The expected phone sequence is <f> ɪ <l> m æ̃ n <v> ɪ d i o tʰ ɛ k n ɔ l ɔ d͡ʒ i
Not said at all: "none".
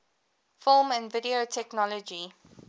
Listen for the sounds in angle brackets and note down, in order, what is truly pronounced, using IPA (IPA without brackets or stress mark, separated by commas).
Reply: f, l, v